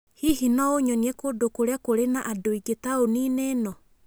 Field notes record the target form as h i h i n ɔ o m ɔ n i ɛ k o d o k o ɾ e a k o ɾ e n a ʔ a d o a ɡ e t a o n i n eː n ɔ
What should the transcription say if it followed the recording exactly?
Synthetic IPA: h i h i n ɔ o ɲ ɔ n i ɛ k o d o k o ɾ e a k o ɾ e n a ʔ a d o i ɡ e t a o n i n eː n ɔ